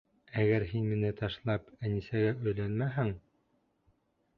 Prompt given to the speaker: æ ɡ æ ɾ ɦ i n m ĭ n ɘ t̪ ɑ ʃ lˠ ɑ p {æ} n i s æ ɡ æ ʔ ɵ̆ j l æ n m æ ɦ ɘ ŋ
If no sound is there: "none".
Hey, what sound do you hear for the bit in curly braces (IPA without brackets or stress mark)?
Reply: æ